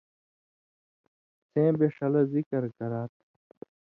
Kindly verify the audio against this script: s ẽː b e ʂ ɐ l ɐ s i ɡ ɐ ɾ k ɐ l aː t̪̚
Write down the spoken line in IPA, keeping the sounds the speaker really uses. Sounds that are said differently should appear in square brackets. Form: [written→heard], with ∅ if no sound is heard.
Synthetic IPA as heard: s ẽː b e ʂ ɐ l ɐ [s→z] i [ɡ→k] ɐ ɾ k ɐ [l→ɾ] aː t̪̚

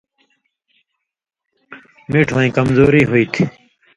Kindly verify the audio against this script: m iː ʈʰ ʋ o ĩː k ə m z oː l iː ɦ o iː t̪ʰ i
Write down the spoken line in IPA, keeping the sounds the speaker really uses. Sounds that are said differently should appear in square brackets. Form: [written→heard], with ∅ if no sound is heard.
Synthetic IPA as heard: m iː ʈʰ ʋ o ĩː k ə m z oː [l→ɾ] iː ɦ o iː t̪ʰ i

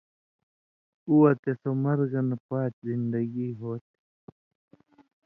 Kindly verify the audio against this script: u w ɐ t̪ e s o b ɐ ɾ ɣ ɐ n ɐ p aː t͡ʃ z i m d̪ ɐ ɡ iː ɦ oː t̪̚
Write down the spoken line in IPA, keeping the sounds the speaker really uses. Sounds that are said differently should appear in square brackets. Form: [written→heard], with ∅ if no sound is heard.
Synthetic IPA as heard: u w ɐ t̪ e s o [b→m] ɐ ɾ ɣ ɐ n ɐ p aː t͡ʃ z i [m→n] d̪ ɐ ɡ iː ɦ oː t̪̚

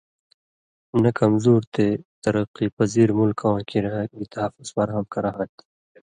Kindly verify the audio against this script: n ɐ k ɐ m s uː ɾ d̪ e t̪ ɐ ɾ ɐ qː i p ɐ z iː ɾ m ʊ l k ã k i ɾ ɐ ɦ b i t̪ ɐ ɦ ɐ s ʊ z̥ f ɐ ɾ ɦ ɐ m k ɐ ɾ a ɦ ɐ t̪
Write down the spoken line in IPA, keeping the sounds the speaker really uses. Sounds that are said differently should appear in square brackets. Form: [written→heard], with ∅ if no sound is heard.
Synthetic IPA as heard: n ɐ k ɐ m [s→z] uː ɾ [d̪→t̪] e t̪ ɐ ɾ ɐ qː i p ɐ z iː ɾ m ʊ l k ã k i ɾ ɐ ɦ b i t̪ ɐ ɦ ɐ [s→f] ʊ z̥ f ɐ ɾ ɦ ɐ m k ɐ ɾ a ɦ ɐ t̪

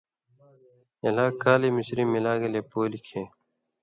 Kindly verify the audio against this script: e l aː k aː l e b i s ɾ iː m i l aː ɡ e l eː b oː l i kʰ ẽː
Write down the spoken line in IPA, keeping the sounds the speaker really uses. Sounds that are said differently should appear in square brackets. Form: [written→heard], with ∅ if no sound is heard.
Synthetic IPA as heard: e l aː k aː l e [b→m] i s ɾ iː m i l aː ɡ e l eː [b→p] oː l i kʰ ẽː

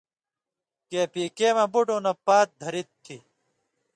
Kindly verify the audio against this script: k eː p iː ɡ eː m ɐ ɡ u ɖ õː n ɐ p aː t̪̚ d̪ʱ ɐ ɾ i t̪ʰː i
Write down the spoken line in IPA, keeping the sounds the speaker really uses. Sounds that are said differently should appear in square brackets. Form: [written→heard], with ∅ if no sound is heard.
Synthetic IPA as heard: k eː p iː [ɡ→k] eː m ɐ [ɡ→b] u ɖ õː n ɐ p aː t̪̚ d̪ʱ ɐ ɾ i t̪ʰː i

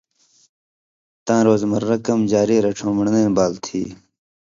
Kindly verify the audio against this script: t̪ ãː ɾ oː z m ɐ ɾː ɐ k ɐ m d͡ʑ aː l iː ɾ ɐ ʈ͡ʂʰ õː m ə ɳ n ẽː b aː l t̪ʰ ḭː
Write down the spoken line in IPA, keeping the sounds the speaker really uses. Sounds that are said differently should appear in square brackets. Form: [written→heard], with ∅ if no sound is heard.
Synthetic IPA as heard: t̪ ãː ɾ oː z m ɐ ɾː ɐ k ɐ m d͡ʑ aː [l→ɾ] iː ɾ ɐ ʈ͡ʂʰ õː m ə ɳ n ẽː b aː l t̪ʰ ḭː

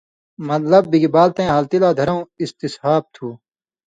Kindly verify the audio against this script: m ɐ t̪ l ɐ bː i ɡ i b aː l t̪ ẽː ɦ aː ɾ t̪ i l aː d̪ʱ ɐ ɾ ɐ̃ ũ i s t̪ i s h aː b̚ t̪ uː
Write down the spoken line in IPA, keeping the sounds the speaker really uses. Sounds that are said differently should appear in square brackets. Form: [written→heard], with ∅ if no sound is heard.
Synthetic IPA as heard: m ɐ t̪ l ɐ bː i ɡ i b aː l t̪ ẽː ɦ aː [ɾ→l] t̪ i l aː d̪ʱ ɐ ɾ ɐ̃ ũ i s t̪ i s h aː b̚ [t̪→t̪ʰ] uː

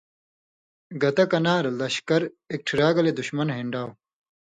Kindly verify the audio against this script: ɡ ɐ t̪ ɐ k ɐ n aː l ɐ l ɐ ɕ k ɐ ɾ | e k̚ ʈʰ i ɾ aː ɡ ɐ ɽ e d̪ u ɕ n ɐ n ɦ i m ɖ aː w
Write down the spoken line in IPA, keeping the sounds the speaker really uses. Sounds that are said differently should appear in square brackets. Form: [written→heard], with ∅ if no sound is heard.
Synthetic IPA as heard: ɡ ɐ t̪ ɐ k ɐ n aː [l→ɾ] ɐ l ɐ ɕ k ɐ ɾ | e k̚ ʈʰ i ɾ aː ɡ ɐ [ɽ→l] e d̪ u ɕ [n→m] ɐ n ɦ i [m→ɳ] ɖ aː w

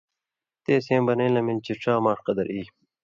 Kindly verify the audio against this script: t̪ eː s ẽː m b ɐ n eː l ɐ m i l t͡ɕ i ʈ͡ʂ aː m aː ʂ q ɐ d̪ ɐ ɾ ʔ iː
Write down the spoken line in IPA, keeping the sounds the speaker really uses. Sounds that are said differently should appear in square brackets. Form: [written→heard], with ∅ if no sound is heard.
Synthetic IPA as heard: t̪ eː s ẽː m b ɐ n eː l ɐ m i l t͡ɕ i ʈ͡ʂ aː m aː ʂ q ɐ d̪ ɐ ɾ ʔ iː

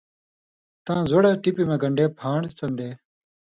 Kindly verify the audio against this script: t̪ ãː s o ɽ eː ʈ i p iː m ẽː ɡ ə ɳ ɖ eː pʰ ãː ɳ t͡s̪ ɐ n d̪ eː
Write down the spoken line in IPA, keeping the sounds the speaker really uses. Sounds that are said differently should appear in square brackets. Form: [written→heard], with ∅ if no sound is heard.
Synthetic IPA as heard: t̪ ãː [s→z] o ɽ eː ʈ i p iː m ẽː ɡ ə ɳ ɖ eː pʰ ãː ɳ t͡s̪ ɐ n d̪ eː

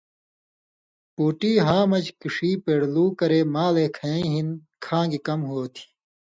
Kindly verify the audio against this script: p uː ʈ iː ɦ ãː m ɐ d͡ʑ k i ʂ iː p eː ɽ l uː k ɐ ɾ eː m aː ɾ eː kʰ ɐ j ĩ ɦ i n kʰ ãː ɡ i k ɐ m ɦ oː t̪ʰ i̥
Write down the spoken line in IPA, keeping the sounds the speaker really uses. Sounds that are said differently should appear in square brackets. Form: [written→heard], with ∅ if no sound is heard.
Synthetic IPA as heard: p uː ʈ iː ɦ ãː m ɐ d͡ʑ k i ʂ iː p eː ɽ l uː k ɐ ɾ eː m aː [ɾ→l] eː kʰ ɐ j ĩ ɦ i n kʰ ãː ɡ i k ɐ m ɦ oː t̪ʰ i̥

